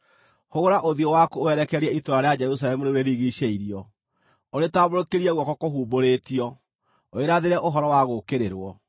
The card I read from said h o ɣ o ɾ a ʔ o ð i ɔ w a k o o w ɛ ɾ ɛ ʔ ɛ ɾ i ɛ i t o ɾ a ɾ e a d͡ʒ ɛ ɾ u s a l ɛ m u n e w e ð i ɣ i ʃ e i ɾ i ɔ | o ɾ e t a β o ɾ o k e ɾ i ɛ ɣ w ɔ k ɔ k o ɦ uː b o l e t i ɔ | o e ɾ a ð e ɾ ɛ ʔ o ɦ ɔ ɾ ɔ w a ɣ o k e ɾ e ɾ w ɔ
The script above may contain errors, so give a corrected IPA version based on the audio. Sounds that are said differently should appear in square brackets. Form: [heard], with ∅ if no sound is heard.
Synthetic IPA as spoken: h o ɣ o ɾ a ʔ o ð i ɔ w a k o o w ɛ ɾ ɛ [k] ɛ ɾ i ɛ i t o ɾ a ɾ e a d͡ʒ ɛ ɾ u s a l ɛ m u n e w e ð i ɣ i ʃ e i ɾ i ɔ | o ɾ e t a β o ɾ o k e ɾ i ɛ ɣ w ɔ k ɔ k o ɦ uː b o [ɾ] e t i ɔ | o e ɾ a ð e ɾ ɛ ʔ o ɦ ɔ ɾ ɔ w a ɣ o k e ɾ e ɾ w ɔ